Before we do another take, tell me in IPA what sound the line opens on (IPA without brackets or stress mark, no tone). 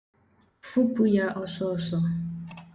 f